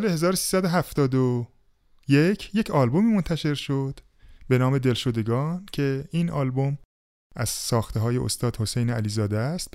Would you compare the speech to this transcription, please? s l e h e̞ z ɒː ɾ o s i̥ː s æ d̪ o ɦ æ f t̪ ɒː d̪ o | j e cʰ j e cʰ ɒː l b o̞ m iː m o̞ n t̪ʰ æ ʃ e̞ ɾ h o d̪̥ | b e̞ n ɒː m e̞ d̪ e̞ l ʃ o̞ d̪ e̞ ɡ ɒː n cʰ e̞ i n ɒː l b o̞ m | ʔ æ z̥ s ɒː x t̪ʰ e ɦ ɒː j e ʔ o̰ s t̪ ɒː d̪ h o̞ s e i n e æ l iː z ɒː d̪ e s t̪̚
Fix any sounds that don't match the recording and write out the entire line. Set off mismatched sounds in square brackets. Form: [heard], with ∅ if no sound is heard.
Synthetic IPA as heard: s l e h e̞ z ɒː ɾ o s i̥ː s æ d̪ o ɦ æ f t̪ ɒː d̪ o | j e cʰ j e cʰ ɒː l b o̞ m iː m o̞ n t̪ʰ æ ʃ e̞ ɾ [ʃ] o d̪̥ | b e̞ n ɒː m e̞ d̪ e̞ l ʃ o̞ d̪ e̞ ɡ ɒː n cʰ e̞ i n ɒː l b o̞ m | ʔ æ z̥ s ɒː x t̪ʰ e ɦ ɒː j e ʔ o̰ s t̪ ɒː d̪ h o̞ s e [j] n e æ l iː z ɒː d̪ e s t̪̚